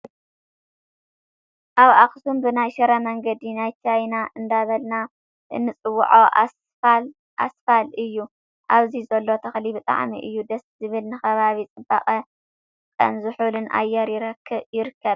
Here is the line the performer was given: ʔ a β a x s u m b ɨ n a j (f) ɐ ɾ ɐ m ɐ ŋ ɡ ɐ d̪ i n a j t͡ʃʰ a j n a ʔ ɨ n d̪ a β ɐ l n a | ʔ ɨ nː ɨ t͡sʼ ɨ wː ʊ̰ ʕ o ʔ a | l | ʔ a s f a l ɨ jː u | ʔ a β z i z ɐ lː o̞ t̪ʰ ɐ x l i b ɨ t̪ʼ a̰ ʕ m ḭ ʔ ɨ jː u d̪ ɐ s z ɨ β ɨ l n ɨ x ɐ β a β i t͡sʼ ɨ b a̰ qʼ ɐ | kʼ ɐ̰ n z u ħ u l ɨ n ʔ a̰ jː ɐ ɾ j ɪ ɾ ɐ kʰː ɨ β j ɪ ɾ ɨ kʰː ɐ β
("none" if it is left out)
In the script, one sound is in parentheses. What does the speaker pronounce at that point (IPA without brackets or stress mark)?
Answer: ʃ